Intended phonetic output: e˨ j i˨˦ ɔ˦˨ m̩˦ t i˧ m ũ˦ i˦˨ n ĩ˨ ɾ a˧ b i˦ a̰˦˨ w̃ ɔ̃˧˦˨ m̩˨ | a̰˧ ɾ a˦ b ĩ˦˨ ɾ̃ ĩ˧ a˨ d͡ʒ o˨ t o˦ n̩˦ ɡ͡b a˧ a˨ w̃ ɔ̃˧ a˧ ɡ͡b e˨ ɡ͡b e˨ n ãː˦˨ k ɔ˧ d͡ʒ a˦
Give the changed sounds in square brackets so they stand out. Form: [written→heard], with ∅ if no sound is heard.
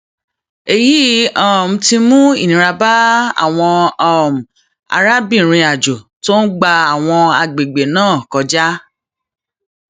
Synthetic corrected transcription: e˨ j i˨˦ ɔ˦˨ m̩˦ t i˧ m ũ˦ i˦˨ n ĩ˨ ɾ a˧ b [i˦→a˦] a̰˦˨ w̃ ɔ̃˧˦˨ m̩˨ | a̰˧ ɾ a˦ b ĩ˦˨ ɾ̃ ĩ˧ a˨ d͡ʒ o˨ t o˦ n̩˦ ɡ͡b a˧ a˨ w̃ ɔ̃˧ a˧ ɡ͡b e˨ ɡ͡b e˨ n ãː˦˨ k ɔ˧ d͡ʒ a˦